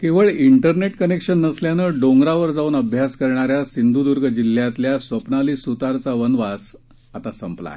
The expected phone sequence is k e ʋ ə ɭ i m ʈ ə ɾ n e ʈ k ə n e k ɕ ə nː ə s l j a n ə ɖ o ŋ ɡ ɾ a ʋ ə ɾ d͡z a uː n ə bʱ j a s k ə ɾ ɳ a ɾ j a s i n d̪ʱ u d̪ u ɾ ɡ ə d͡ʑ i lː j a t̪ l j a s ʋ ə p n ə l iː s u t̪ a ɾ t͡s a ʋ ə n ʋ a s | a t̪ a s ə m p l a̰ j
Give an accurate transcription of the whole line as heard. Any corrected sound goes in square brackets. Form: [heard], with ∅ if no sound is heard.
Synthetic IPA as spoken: k e ʋ ə ɭ i [ɳ] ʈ ə ɾ n e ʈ k ə n e k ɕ ə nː ə s l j a n ə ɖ o ŋ ɡ ɾ a ʋ ə ɾ d͡z a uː n ə bʱ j a s k ə ɾ ɳ a ɾ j a s i n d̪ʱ u d̪ u ɾ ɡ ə d͡ʑ i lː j a t̪ l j a s ʋ ə p n [a] l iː s u t̪ a ɾ t͡s a ʋ ə n ʋ a s | a t̪ a s ə m p l a̰ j